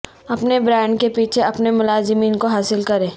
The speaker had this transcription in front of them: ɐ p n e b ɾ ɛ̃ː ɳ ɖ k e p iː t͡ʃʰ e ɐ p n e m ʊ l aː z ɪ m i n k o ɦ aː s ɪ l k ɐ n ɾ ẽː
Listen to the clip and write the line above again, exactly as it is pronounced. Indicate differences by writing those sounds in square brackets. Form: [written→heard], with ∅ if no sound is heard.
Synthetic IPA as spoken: ɐ p n e b ɾ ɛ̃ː ɳ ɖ k e p iː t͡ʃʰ e ɐ p n e m ʊ l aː z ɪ m [i→iː] n k o ɦ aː s ɪ l k ɐ [n→∅] ɾ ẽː